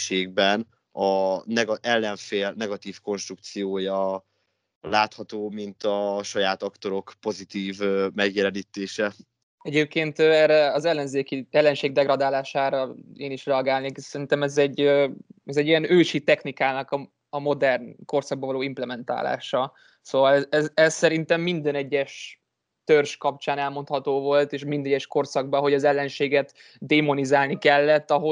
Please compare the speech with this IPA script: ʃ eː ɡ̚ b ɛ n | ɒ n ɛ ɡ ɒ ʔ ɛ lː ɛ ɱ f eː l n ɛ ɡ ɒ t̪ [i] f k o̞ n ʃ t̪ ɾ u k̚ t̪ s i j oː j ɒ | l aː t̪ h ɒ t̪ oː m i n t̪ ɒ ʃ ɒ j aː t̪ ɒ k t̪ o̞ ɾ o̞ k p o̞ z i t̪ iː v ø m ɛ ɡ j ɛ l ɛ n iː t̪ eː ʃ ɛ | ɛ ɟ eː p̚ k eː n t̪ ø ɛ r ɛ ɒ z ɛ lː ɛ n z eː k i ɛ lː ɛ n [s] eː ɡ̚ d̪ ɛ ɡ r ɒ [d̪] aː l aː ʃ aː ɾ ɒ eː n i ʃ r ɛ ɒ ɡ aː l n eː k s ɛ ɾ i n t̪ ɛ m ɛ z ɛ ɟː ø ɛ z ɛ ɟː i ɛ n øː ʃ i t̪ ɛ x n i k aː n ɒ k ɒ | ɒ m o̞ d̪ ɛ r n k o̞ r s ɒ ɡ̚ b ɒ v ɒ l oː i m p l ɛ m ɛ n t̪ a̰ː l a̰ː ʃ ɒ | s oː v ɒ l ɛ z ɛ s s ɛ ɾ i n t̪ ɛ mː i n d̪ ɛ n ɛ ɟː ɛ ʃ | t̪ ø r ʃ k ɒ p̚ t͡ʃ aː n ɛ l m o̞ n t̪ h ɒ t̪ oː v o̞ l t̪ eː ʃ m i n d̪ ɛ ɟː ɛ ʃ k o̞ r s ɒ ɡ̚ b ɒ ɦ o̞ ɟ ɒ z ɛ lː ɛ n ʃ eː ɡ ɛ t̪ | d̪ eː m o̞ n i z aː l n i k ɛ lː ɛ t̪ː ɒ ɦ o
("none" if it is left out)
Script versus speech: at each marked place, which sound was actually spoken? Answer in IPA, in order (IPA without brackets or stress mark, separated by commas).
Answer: iː, ʃ, d̪